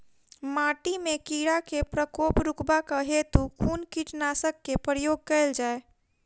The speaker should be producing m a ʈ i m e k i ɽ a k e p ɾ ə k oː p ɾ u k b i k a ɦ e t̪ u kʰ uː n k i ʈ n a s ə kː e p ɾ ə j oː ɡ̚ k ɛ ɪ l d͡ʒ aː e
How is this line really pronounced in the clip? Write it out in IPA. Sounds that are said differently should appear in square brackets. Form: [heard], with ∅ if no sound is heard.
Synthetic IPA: m a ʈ i m e k i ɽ a k e p ɾ ə k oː p ɾ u k b [a] k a ɦ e t̪ u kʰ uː n k i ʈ n a s ə kː e p ɾ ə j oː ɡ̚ k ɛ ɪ l d͡ʒ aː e